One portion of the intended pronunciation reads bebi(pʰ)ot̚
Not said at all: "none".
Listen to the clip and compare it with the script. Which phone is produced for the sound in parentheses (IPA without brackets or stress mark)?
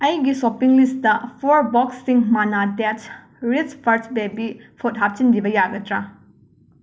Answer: pʰ